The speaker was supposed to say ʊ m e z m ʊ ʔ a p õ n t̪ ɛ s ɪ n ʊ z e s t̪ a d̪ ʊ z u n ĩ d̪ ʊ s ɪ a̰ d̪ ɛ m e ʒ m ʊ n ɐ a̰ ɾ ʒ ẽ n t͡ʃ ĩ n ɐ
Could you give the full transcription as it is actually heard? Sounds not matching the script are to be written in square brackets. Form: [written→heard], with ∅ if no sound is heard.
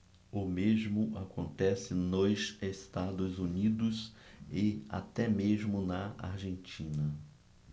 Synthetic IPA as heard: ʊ m e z m ʊ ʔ a [p→k] õ n t̪ ɛ s ɪ n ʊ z e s t̪ a d̪ ʊ z u n [ĩ→i] d̪ ʊ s ɪ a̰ [d̪→t̪] ɛ m e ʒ m ʊ n ɐ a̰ ɾ ʒ ẽ n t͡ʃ ĩ n ɐ